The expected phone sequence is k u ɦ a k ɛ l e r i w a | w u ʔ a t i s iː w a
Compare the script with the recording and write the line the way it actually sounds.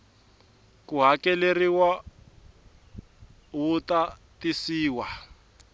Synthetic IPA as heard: k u ɦ a k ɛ l e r i w a | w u t a t i s iː w a